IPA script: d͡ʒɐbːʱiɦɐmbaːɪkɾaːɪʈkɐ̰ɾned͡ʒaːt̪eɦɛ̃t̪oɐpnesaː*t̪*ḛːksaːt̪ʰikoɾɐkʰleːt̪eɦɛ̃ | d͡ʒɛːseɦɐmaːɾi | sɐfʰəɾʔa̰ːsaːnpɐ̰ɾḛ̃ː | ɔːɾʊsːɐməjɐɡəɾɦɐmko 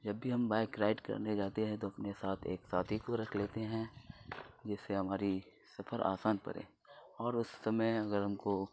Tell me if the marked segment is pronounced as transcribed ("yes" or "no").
no